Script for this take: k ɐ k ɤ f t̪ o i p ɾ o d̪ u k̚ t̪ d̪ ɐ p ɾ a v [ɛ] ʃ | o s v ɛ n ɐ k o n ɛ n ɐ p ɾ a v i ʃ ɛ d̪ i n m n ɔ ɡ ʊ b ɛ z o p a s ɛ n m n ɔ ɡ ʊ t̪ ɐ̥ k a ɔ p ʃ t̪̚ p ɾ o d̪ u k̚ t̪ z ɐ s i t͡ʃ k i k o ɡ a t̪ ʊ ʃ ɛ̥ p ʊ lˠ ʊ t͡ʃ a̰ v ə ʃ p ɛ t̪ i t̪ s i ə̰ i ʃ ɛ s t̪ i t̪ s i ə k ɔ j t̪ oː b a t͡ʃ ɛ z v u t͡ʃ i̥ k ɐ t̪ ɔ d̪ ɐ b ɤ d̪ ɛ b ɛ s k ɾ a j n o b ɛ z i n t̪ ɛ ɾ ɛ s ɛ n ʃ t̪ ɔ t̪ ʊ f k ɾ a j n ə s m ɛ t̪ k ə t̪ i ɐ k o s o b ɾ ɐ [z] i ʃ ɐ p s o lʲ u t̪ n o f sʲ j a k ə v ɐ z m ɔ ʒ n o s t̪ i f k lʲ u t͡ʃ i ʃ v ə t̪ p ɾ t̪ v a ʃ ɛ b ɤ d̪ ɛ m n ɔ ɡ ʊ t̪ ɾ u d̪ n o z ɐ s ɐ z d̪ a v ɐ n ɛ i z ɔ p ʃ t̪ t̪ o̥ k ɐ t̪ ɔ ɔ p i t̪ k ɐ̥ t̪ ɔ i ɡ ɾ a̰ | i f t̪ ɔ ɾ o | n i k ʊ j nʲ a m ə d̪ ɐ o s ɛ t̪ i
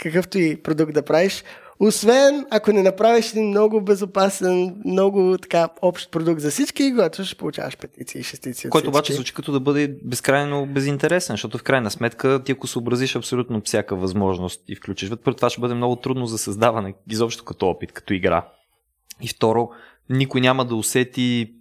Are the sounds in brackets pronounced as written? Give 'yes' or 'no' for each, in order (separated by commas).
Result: no, yes